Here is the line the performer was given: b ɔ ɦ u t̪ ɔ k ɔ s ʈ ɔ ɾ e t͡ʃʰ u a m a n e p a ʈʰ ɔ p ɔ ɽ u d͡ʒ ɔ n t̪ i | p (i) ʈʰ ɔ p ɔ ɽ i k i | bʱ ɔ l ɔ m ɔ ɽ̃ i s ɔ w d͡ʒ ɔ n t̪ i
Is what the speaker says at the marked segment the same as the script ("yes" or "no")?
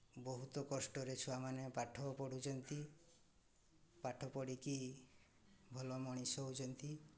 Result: no